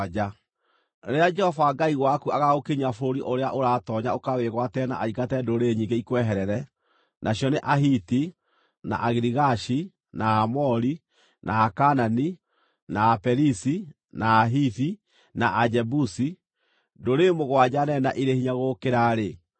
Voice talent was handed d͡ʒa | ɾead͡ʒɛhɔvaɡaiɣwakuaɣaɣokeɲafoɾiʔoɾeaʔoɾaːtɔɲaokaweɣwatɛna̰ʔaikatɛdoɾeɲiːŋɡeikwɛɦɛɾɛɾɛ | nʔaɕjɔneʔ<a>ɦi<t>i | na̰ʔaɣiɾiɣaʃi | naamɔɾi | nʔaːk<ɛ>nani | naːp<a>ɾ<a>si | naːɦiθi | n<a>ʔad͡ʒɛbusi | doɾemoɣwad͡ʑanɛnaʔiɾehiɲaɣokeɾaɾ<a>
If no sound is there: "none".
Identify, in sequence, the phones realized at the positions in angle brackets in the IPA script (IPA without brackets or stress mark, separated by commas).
a, t, a, ɛ, i, a, e